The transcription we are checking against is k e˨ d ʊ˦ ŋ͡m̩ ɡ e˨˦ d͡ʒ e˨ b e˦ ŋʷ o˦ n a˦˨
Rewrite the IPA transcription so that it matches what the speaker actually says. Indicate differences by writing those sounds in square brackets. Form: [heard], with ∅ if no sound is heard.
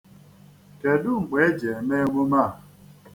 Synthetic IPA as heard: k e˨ d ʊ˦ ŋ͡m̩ [ɡ͡b] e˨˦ d͡ʒ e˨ [m] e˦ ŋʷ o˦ [m] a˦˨